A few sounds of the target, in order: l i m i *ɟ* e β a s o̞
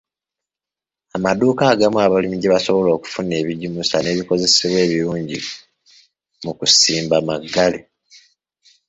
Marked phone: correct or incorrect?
correct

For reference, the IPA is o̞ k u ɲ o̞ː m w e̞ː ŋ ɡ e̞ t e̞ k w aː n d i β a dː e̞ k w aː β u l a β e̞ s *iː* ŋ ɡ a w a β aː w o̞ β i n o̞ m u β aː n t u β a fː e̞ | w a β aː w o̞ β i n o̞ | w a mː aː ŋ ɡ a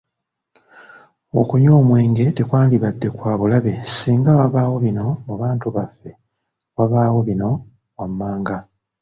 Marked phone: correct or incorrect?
correct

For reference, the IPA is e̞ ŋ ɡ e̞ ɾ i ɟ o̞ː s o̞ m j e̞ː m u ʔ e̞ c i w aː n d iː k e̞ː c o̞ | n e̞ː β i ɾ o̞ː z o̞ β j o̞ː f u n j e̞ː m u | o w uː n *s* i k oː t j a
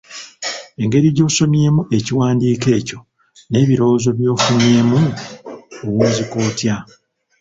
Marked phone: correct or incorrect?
incorrect: z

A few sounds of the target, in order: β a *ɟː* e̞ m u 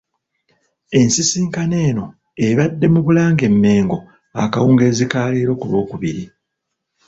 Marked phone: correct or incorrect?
incorrect: dː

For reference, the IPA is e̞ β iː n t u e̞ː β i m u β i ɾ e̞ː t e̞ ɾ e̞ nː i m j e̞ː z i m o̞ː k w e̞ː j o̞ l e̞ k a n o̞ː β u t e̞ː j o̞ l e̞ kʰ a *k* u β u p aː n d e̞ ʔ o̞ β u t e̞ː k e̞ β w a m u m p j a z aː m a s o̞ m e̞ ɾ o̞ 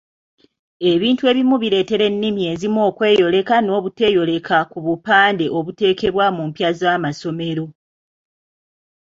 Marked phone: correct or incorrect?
correct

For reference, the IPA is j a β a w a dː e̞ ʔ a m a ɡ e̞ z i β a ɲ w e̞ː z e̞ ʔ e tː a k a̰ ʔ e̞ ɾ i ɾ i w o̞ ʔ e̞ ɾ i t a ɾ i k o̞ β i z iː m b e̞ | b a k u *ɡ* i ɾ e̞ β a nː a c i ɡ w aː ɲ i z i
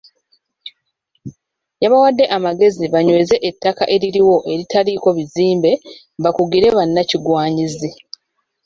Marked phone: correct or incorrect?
correct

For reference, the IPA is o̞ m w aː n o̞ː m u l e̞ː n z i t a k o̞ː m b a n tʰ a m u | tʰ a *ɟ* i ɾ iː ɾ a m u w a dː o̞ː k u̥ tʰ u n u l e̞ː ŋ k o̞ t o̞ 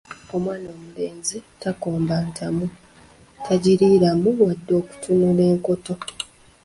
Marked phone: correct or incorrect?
correct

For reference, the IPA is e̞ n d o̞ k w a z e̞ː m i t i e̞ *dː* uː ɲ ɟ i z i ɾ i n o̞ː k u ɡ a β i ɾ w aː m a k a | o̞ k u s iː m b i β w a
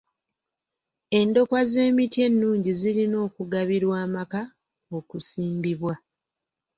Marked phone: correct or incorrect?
incorrect: nː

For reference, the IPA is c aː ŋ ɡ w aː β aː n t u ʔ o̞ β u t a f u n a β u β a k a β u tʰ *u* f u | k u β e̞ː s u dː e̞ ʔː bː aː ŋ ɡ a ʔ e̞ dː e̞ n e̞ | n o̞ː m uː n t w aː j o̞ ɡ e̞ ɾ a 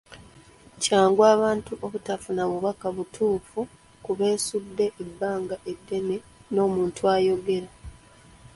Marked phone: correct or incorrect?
incorrect: uː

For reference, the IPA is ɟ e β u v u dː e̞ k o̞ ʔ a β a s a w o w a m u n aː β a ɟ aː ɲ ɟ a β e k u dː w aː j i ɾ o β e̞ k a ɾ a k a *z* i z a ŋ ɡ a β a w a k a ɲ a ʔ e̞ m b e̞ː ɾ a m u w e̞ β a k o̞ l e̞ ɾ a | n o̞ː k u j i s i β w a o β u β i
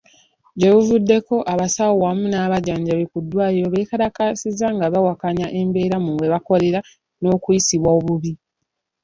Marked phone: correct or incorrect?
incorrect: s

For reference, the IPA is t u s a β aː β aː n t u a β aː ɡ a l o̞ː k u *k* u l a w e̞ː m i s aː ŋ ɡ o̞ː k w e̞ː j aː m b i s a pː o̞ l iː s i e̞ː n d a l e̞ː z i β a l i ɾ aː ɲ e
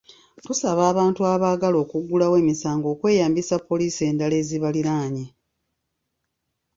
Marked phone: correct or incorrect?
incorrect: ɡ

